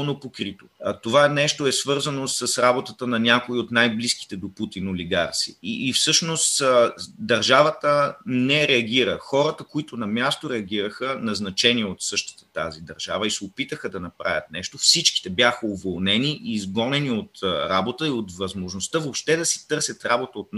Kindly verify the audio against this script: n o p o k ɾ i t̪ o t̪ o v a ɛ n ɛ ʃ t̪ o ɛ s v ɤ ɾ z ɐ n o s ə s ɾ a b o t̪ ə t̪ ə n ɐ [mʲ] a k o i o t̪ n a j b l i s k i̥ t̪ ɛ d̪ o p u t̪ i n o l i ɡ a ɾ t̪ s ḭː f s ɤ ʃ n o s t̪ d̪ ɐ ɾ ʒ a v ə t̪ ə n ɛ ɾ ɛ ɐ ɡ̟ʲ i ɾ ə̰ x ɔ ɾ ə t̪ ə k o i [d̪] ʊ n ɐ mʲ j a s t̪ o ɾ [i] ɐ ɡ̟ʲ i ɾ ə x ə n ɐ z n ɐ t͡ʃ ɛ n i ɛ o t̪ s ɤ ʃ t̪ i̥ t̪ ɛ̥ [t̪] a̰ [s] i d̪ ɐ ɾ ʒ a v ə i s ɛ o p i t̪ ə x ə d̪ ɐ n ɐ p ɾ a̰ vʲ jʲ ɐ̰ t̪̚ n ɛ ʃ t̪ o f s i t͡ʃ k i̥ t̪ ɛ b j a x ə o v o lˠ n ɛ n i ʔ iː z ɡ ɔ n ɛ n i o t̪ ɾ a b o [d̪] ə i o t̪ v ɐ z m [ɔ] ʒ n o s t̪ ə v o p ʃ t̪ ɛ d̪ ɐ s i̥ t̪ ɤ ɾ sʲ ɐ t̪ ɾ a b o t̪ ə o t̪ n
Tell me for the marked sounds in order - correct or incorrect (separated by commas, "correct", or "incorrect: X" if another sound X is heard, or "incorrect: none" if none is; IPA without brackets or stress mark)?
incorrect: nʲ, incorrect: t̪, incorrect: ɛ, correct, incorrect: z, incorrect: t̪, incorrect: o